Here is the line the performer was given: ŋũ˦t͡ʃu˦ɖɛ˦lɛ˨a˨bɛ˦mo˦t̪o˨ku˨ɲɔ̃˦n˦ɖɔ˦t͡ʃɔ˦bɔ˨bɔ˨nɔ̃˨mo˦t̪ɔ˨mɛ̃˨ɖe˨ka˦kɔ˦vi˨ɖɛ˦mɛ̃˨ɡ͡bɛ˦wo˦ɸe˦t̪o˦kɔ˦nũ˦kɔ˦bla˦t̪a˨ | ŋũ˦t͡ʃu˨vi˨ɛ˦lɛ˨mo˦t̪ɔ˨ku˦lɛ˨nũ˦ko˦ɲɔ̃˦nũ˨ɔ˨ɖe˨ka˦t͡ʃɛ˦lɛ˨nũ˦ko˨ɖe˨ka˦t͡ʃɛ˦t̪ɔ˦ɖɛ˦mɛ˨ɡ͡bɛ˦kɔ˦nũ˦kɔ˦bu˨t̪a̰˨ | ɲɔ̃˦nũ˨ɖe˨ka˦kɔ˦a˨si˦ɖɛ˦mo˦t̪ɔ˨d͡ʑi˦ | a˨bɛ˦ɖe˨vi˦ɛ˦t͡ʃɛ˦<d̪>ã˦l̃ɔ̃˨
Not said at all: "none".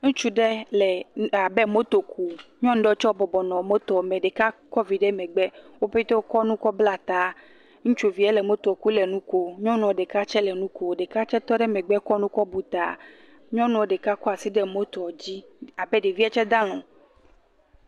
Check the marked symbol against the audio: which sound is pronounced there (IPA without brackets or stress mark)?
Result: d̪